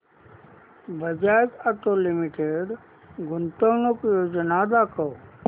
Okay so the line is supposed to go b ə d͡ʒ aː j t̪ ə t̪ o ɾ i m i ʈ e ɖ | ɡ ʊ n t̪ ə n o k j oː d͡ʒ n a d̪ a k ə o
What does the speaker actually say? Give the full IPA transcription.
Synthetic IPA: b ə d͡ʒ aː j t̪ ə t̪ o l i m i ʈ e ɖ | ɡ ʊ n t̪ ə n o k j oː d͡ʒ n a d̪ a k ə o